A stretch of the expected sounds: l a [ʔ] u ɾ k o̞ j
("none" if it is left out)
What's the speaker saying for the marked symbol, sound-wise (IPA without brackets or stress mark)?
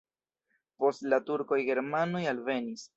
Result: t